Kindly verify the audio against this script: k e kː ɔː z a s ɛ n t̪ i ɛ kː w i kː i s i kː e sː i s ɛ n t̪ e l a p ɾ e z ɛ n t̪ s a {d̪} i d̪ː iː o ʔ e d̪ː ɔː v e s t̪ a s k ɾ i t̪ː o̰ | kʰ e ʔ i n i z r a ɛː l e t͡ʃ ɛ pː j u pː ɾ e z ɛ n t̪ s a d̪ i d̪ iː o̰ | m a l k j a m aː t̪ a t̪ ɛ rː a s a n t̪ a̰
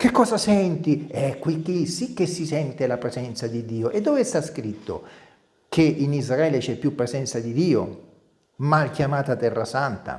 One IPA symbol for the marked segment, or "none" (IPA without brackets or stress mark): d̪